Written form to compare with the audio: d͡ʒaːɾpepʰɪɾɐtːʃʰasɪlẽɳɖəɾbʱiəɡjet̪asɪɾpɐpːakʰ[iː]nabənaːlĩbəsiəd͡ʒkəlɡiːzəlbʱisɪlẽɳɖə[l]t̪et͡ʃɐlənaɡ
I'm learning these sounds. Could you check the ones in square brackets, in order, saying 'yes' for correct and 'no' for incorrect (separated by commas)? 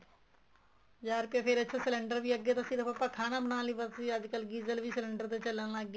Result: no, no